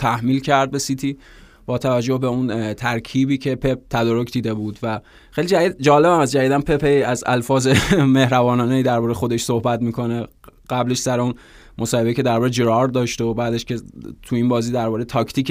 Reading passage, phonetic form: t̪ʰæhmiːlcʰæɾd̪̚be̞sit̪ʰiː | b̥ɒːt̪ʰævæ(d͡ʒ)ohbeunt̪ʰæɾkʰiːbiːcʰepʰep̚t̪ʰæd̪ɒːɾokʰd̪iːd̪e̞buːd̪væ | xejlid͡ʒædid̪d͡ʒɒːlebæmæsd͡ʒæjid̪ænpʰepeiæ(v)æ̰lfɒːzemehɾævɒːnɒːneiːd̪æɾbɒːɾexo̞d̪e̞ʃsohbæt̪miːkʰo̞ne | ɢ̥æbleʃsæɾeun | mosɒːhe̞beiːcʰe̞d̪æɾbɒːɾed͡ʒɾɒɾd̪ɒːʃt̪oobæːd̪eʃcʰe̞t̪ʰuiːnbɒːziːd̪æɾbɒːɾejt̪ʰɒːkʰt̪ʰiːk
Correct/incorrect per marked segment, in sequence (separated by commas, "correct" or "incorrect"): incorrect, incorrect